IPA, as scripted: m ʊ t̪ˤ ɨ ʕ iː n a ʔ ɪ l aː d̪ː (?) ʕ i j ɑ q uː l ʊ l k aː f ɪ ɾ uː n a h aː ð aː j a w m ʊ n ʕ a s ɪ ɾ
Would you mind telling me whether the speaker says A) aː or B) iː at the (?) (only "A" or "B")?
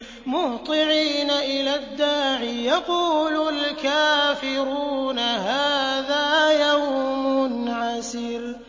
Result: A